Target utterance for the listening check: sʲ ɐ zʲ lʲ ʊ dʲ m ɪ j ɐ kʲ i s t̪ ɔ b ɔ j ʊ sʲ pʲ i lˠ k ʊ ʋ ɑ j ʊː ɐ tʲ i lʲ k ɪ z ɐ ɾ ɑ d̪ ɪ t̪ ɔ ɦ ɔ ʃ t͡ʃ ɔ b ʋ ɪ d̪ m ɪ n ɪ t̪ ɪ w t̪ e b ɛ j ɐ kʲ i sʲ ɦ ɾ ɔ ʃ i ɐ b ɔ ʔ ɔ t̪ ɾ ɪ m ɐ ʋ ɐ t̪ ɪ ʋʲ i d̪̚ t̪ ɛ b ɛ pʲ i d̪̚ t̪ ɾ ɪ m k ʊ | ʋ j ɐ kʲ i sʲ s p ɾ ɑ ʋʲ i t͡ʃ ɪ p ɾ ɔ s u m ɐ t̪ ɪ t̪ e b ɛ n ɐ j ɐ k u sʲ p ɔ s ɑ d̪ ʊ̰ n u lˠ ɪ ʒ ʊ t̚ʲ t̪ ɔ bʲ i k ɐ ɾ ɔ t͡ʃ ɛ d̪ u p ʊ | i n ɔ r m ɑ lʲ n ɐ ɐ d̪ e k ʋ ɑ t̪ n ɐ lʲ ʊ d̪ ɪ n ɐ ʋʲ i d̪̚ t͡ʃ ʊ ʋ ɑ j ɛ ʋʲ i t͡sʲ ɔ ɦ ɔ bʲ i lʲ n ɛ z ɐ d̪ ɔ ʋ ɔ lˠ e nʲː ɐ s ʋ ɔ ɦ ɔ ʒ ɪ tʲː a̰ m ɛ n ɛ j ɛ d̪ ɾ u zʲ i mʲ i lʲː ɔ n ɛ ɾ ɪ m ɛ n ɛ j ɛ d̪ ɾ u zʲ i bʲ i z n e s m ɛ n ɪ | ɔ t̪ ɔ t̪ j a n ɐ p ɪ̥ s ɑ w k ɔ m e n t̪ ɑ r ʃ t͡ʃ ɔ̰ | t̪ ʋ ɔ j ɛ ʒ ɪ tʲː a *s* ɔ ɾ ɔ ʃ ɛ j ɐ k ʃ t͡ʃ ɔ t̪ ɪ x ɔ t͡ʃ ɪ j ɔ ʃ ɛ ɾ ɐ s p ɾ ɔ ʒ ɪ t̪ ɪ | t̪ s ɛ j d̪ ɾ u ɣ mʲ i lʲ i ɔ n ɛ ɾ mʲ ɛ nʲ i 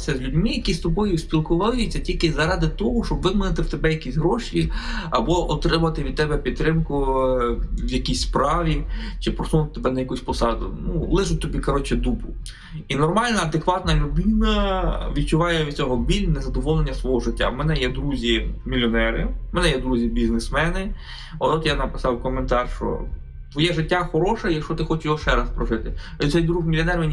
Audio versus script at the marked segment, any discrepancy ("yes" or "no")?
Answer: yes